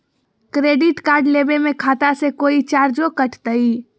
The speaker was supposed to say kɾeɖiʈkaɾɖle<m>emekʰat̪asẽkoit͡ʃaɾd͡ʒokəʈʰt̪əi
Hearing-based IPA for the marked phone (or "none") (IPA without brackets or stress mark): b